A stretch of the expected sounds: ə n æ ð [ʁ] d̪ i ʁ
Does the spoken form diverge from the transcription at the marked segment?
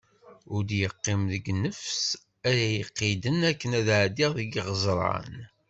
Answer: yes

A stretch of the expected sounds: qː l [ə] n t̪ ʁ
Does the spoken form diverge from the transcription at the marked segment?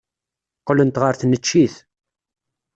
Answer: no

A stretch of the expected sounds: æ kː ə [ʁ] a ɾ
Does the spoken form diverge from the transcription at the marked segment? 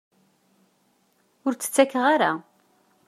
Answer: no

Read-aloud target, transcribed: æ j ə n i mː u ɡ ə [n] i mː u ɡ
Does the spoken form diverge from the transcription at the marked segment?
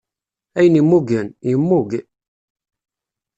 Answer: no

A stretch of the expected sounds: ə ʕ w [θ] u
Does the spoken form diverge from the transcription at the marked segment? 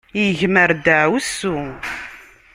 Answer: yes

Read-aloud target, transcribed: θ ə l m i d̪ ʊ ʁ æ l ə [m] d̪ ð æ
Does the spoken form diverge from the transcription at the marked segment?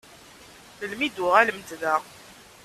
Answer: no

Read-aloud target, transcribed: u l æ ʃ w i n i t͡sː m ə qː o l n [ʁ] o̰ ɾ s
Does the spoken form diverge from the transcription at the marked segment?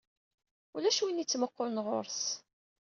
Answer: no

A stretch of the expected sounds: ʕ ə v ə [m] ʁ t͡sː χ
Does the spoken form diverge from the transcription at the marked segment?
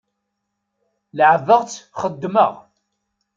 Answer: yes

